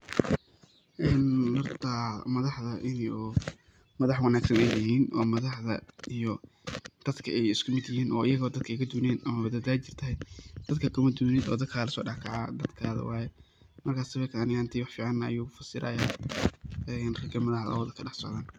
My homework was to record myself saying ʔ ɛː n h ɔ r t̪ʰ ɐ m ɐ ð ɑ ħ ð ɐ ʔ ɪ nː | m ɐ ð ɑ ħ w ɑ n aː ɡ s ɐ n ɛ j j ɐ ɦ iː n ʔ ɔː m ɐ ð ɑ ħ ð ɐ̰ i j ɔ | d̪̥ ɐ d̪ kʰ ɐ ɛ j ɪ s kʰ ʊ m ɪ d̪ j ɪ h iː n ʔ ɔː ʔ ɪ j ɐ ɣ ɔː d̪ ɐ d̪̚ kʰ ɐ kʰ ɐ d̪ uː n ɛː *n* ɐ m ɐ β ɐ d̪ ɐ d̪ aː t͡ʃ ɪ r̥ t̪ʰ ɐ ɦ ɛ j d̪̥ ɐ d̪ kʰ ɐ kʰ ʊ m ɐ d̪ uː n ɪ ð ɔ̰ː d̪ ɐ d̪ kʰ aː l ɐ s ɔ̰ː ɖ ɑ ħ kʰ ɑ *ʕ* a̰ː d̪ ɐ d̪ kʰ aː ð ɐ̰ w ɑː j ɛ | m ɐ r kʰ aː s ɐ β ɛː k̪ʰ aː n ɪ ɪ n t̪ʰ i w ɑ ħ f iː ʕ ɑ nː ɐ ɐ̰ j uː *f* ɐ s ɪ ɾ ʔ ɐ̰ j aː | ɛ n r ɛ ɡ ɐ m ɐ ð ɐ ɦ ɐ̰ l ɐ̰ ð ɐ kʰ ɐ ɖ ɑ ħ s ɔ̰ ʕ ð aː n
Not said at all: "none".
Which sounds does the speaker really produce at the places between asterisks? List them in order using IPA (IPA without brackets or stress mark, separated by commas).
n, ʕ, f